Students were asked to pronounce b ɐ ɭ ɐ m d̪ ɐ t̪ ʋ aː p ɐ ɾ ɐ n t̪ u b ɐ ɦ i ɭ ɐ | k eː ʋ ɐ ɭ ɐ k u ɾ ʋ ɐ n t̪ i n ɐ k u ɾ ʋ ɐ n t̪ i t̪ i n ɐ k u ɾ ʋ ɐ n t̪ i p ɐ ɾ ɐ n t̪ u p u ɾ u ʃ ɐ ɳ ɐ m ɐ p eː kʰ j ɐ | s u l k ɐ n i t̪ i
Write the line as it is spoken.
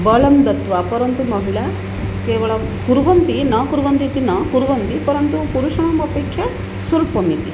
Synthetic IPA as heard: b ɐ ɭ ɐ m d̪ ɐ t̪ ʋ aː p ɐ ɾ ɐ n t̪ u m ɐ ɦ i ɭ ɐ | k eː ʋ ɐ ɭ ɐ k u ɾ ʋ ɐ n t̪ i n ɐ k u ɾ ʋ ɐ n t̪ i t̪ i n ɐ k u ɾ ʋ ɐ n t̪ i p ɐ ɾ ɐ n t̪ u p u ɾ u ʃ ɐ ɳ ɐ m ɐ p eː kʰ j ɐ | s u l p ɐ m i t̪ i